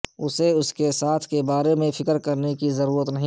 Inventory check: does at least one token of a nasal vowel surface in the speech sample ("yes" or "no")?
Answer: yes